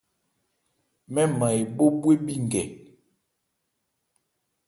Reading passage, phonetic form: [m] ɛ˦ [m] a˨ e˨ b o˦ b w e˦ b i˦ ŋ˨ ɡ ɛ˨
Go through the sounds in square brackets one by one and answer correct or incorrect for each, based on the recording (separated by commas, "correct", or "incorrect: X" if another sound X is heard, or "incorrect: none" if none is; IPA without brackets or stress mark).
correct, correct